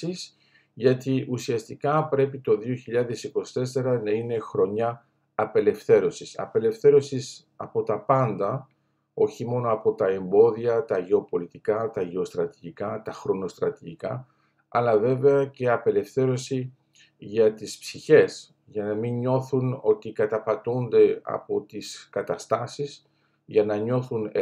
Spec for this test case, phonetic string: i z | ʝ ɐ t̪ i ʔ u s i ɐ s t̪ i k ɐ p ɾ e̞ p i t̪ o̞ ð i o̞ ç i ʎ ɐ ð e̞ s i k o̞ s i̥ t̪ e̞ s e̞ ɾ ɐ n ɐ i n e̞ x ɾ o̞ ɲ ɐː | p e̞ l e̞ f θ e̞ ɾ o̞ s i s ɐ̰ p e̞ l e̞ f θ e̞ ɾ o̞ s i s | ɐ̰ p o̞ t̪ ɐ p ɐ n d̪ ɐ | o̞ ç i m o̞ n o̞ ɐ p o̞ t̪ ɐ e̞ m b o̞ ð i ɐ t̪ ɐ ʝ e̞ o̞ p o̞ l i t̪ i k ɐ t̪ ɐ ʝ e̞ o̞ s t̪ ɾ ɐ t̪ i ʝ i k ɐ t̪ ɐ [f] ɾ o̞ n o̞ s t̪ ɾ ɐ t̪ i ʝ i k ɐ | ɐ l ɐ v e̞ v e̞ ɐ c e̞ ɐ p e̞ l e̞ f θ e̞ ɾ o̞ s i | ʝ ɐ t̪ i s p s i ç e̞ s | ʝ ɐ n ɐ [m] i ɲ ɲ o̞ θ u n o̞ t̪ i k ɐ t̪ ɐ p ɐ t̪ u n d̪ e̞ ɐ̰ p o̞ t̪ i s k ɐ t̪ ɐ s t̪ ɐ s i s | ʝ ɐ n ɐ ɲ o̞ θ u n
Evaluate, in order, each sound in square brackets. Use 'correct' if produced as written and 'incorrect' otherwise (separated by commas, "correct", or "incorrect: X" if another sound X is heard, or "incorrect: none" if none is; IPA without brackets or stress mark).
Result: incorrect: x, correct